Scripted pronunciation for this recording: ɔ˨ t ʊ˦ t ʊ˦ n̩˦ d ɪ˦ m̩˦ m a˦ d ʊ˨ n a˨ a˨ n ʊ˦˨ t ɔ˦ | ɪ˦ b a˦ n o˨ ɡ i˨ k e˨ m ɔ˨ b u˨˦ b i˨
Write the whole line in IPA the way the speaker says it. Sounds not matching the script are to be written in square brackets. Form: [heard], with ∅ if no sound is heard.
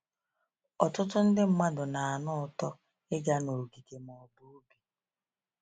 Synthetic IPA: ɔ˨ t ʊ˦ t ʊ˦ n̩˦ d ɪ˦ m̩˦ m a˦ d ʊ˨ n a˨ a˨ n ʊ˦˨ t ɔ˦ | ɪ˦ [ɡ] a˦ n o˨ ɡ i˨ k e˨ m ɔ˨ b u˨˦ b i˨